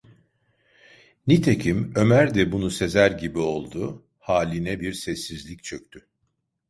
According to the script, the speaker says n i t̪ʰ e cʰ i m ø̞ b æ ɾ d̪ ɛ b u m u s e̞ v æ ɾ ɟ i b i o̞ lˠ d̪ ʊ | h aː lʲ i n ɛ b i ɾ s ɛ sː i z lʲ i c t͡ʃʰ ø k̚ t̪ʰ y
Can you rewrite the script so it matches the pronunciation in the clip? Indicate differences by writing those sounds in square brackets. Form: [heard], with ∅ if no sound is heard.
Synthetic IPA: n i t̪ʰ e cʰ i m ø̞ [m] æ ɾ d̪ ɛ b u [n] u s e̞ [z] æ ɾ ɟ i b i o̞ lˠ d̪ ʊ | h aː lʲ i n ɛ b i ɾ s ɛ sː i z lʲ i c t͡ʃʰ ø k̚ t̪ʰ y

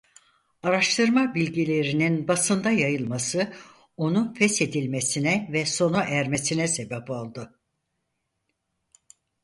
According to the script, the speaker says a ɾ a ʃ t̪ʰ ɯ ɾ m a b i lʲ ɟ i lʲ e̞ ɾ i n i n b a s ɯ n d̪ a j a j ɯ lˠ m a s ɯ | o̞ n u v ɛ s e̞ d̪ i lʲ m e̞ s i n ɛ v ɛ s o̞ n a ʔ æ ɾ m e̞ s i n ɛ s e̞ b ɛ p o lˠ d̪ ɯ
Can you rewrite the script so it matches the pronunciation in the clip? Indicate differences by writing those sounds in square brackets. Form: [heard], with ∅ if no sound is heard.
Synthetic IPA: a ɾ a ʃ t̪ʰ ɯ ɾ m a b i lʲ ɟ i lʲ e̞ ɾ i n i n b a s ɯ n d̪ a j a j ɯ lˠ m a s ɯ | o̞ n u [f] ɛ s e̞ d̪ i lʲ m e̞ s i n ɛ v ɛ s o̞ n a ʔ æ ɾ m e̞ s i n ɛ s e̞ b ɛ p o lˠ d̪ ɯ

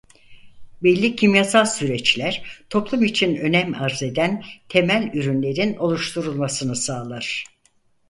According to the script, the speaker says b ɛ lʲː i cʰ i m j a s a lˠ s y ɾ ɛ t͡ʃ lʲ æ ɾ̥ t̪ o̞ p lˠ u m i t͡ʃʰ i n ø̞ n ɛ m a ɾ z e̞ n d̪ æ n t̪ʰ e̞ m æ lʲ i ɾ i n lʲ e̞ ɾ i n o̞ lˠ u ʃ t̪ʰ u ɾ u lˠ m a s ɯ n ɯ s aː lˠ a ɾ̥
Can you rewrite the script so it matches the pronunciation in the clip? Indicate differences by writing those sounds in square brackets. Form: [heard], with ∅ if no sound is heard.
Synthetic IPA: b ɛ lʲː i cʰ i m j a s a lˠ s y ɾ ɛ t͡ʃ lʲ æ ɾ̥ [t̪ʰ] o̞ p lˠ u m i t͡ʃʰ i n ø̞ n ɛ m a ɾ z e̞ [∅] d̪ æ n t̪ʰ e̞ m æ lʲ [y] ɾ [y] n lʲ e̞ ɾ i n o̞ lˠ u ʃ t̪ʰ u ɾ u lˠ m a s ɯ n ɯ s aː lˠ a ɾ̥

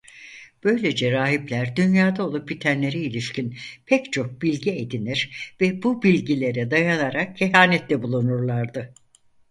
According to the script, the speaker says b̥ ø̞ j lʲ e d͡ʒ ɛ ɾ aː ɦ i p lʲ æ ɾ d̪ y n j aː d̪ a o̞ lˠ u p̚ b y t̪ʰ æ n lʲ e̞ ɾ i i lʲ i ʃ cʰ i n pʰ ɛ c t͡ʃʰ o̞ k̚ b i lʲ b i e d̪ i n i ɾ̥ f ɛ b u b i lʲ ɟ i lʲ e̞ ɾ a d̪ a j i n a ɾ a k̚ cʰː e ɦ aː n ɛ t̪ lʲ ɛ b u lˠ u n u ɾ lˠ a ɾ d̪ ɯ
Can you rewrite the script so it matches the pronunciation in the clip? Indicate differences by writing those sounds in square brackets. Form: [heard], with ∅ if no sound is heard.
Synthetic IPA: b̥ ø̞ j lʲ e d͡ʒ ɛ ɾ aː ɦ i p lʲ æ ɾ d̪ y n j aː d̪ a o̞ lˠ u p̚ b [i] t̪ʰ æ n lʲ e̞ ɾ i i lʲ i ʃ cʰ i n pʰ ɛ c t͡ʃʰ o̞ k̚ b i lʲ [ɟ] i e d̪ i n i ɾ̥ [v] ɛ b u b i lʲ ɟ i lʲ e̞ ɾ [ɛ] d̪ a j [a] n a ɾ a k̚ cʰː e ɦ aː n ɛ t̪ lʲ ɛ b u lˠ u n u ɾ lˠ a ɾ d̪ ɯ

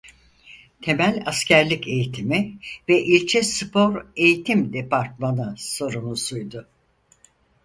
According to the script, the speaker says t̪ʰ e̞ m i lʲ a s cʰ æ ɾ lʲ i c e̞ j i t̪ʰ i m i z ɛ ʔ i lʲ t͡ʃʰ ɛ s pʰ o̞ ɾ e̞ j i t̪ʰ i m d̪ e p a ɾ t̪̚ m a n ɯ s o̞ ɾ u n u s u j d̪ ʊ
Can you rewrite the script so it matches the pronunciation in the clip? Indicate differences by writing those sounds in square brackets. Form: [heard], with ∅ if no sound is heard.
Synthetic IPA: t̪ʰ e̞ m [æ] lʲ a s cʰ æ ɾ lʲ i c e̞ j i t̪ʰ i m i [v] ɛ ʔ i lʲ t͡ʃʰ ɛ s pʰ o̞ ɾ e̞ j i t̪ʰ i m d̪ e p a ɾ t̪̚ m a n ɯ s o̞ ɾ u n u s u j d̪ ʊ

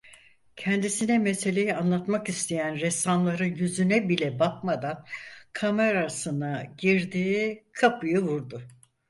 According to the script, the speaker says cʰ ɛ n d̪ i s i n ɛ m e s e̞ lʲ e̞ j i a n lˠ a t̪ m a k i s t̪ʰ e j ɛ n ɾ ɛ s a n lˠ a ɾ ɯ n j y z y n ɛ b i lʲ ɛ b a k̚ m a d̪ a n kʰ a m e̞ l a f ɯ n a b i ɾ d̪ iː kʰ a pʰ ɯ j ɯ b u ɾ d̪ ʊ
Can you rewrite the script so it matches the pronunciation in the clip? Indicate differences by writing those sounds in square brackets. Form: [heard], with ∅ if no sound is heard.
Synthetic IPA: cʰ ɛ n d̪ i s i n ɛ m e s e̞ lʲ e̞ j i a n lˠ a t̪ m a k i s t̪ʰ e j [æ] n ɾ ɛ s a n lˠ a ɾ ɯ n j y z y n ɛ b i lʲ ɛ b a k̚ m a d̪ a n kʰ a m e̞ [ɾ] a [s] ɯ n a [ɟ] i ɾ d̪ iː kʰ a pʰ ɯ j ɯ [v] u ɾ d̪ ʊ

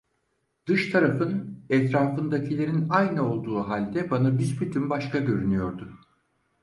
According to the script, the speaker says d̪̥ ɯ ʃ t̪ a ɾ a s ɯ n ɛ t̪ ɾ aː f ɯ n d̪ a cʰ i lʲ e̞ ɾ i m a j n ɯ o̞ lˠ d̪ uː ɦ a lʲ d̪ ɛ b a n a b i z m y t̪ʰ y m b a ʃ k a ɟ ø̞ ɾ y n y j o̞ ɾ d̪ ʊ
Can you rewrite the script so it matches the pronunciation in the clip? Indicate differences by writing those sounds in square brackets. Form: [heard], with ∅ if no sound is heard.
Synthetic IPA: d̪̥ ɯ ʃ [t̪ʰ] a ɾ a [f] ɯ n ɛ t̪ ɾ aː f ɯ n d̪ a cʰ i lʲ e̞ ɾ i [n] a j n ɯ o̞ lˠ d̪ uː ɦ a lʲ d̪ ɛ b a n a b i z [b] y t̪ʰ y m b a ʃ k a ɟ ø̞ ɾ y n y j o̞ ɾ d̪ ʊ

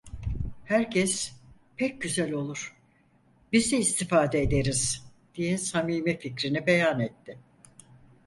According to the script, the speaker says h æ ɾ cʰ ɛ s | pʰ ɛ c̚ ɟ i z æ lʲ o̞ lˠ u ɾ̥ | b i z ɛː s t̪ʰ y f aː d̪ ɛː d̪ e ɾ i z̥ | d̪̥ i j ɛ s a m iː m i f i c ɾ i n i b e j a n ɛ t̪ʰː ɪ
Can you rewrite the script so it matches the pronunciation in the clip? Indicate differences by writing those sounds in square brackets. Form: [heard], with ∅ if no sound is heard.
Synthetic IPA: h æ ɾ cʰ ɛ s | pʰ ɛ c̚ ɟ [y] z æ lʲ o̞ lˠ u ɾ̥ | b i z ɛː s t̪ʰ [i] f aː d̪ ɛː d̪ e ɾ i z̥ | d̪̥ i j ɛ s a m iː m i f i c ɾ i n i b e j a n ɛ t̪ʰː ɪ

